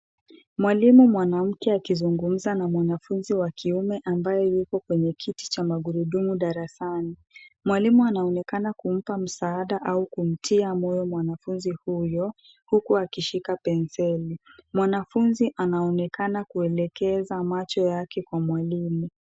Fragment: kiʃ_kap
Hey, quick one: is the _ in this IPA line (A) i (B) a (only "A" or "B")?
A